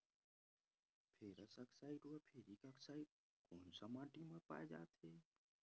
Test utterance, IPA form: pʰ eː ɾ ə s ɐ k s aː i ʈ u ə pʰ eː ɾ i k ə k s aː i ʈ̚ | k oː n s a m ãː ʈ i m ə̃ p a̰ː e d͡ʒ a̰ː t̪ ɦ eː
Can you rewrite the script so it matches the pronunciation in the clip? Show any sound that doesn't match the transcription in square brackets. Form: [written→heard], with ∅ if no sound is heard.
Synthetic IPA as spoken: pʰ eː ɾ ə s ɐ k s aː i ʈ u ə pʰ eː ɾ i k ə k s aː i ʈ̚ | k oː n s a m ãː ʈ i m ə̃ p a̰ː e d͡ʒ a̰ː t̪ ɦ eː